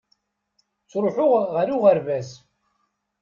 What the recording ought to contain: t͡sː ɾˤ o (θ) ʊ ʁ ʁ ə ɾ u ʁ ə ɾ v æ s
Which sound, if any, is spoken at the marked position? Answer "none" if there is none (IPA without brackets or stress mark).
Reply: ħ